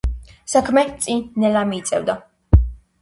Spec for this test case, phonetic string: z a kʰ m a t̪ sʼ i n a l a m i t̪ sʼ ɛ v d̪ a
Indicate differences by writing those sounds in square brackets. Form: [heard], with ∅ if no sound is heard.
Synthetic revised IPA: [s] a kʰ m [ɛ] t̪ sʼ i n [ɛ] l a m i t̪ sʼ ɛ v d̪ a